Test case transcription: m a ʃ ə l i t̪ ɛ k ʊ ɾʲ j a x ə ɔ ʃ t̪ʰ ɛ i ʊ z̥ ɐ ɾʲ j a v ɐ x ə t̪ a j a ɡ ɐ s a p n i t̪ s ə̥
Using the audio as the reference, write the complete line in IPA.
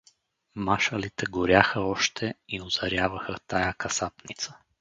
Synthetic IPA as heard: m a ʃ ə l i t̪ ɛ ɡ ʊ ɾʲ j a x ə ɔ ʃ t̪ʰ ɛ i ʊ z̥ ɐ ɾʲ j a v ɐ x ə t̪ a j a k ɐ s a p n i t̪ s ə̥